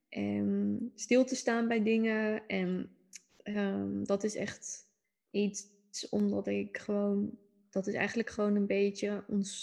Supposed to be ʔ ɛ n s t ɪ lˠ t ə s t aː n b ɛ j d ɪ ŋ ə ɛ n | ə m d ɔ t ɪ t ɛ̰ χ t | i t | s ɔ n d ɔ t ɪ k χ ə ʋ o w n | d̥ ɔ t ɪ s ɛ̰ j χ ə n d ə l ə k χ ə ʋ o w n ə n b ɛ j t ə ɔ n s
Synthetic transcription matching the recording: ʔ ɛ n s t ɪ lˠ t ə s t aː n b ɛ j d ɪ ŋ ə ɛ n | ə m d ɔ t ɪ s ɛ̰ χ t | i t | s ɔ m d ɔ t ɪ k χ ə ʋ o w n | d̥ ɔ t ɪ s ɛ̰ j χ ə n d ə l ə k χ ə ʋ o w n ə n b e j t ə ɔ n s